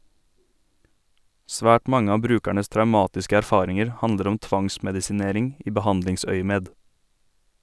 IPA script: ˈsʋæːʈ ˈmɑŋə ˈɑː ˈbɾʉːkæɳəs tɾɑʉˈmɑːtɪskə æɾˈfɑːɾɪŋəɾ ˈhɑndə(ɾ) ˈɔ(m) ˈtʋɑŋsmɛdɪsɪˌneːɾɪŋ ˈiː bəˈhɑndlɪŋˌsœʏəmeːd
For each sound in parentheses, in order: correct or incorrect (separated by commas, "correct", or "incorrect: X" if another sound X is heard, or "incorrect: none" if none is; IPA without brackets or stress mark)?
correct, correct